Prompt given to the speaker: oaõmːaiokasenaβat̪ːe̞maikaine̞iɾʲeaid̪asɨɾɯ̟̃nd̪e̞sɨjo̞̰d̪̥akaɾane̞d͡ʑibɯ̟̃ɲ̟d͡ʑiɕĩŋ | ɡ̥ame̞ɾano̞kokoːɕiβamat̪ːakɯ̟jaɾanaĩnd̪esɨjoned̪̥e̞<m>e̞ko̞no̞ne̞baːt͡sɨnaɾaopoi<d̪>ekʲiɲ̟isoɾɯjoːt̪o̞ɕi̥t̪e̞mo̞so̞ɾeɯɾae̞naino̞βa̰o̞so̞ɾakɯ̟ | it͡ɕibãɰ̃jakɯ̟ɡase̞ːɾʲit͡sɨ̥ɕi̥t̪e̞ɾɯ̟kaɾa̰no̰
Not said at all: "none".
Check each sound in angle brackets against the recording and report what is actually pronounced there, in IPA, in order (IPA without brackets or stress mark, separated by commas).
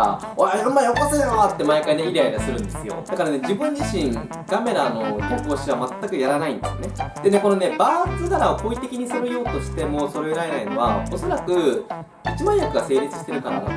n, t̪